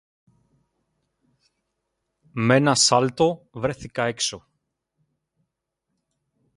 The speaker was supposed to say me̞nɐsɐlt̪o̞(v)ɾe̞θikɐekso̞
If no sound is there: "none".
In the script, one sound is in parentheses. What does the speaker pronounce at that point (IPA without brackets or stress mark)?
v